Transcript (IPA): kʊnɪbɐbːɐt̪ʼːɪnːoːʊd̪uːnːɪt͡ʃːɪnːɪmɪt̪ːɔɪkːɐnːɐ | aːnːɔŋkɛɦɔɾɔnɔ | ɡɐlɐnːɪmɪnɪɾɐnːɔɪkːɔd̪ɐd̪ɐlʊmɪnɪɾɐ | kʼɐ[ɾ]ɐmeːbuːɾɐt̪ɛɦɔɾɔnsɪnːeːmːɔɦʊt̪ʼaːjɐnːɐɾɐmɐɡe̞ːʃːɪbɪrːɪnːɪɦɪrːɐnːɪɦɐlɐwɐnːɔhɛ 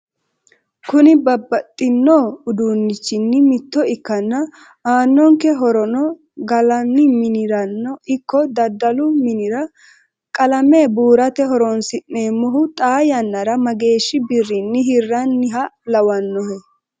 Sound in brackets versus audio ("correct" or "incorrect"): incorrect